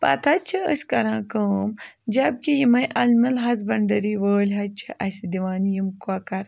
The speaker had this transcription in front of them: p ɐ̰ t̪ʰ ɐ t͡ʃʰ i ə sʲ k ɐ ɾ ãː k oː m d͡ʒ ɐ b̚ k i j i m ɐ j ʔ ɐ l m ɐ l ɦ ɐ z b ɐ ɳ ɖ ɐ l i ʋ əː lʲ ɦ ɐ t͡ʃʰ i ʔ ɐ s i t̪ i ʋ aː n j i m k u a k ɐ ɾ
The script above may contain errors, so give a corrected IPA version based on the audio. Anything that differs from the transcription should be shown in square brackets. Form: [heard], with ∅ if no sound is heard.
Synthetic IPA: p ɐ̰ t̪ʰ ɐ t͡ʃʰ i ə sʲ k ɐ ɾ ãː k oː m d͡ʒ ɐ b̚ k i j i m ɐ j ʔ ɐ l m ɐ l ɦ ɐ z b ɐ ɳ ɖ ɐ [ɾ] i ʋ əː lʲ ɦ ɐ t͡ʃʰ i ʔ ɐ s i [d̪] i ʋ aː n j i m k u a k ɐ ɾ